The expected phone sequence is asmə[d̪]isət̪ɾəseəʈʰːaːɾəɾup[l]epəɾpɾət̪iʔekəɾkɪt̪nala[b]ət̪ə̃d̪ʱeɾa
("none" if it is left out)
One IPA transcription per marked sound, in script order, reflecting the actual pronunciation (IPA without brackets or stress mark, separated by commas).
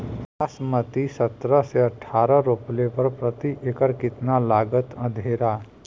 t̪, l, ɡ